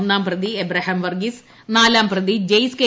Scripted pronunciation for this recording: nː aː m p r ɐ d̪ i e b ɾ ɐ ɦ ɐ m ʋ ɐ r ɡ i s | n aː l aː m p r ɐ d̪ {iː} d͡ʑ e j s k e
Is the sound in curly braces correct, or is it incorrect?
incorrect